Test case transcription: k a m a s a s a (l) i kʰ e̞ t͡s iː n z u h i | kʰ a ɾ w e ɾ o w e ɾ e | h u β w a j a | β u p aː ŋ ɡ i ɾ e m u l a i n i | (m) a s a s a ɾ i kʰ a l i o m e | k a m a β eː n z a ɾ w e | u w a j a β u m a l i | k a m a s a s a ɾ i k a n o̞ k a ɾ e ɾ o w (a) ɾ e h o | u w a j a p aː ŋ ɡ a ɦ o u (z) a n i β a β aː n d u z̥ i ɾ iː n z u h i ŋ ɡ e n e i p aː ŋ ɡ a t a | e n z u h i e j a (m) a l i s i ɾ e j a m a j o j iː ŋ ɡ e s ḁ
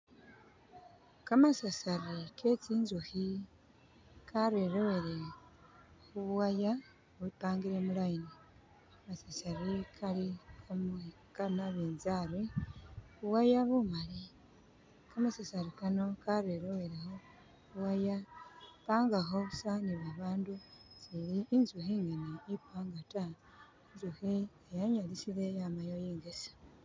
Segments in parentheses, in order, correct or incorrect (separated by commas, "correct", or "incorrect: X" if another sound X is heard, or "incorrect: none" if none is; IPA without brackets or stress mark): incorrect: ɾ, correct, incorrect: e, incorrect: s, incorrect: ɲ